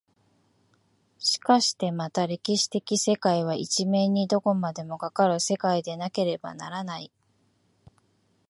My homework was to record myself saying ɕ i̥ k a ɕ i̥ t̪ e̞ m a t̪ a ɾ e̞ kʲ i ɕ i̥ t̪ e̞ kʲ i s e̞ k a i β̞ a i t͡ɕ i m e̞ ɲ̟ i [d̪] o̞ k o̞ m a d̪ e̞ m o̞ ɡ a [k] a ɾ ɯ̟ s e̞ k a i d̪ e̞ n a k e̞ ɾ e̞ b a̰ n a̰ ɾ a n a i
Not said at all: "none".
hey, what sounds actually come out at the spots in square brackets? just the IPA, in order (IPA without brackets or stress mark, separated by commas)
d̪, k